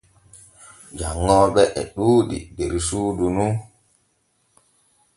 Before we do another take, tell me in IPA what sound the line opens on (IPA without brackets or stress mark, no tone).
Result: d͡ʒ